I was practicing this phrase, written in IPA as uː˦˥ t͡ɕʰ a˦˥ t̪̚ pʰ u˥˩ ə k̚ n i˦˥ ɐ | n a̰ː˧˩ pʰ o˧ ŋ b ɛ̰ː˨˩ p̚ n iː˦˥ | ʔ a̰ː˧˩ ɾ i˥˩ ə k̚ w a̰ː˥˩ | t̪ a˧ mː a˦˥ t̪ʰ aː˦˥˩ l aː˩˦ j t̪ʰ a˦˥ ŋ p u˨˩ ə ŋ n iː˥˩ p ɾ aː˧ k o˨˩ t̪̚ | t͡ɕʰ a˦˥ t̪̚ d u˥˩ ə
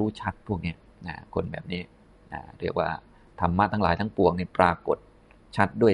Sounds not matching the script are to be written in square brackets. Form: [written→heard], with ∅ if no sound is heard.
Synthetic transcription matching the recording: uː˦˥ t͡ɕʰ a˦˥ t̪̚ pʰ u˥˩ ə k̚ n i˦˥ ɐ | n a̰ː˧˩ [pʰ→kʰ] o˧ [ŋ→n] b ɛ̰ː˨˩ p̚ n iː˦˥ | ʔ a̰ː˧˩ ɾ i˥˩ ə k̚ w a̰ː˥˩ | [t̪→t̪ʰ] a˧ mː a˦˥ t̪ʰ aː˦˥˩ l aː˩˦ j t̪ʰ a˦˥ ŋ p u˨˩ ə ŋ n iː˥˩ p ɾ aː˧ k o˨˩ t̪̚ | t͡ɕʰ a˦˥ t̪̚ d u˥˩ ə